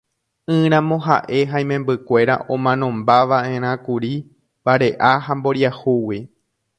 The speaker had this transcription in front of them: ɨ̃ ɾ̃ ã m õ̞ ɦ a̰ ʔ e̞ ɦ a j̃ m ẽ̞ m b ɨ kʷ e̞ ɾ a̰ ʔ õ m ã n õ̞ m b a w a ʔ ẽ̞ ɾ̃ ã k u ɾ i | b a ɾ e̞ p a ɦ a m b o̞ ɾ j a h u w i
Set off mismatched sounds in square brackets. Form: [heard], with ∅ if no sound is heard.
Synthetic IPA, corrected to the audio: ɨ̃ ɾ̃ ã m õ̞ ɦ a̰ ʔ e̞ ɦ a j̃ m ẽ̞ m b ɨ kʷ e̞ ɾ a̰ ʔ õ m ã n õ̞ m b a [ʋ] a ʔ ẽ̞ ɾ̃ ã k u ɾ i | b a ɾ e̞ [ʔ] a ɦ a m b o̞ ɾ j a h u w i